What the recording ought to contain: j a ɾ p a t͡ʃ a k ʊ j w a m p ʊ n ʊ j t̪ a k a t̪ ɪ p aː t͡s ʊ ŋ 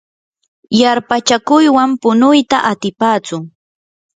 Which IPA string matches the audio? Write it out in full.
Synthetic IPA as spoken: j a ɾ p a t͡ʃ a k ʊ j w a m p ʊ n ʊ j t̪ a ʔ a t̪ ɪ p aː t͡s ʊ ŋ